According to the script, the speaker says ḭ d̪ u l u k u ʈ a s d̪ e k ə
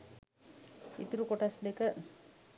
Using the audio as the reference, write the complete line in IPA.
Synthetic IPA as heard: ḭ t̪ u ɾ u k o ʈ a s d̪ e k ə